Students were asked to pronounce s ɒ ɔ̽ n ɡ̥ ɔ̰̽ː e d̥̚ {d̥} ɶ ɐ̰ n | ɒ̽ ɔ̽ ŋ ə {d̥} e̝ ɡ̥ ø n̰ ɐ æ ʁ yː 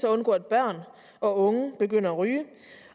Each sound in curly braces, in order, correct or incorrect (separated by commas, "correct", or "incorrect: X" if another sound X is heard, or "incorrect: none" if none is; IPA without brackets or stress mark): incorrect: b̥, incorrect: b̥